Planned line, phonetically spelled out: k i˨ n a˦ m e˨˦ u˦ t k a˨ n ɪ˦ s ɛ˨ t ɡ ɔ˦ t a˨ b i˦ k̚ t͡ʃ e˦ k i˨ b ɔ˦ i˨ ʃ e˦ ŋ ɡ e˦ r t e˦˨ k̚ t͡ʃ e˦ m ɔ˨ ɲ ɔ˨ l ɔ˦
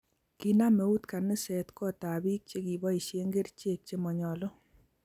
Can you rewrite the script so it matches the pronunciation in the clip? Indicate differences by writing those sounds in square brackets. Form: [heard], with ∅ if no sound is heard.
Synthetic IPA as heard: k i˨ n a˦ m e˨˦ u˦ t k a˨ n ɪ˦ s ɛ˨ t [k] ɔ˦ t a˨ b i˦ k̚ t͡ʃ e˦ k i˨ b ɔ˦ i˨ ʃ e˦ ŋ ɡ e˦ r [t͡ʃ] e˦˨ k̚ t͡ʃ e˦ m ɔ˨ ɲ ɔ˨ l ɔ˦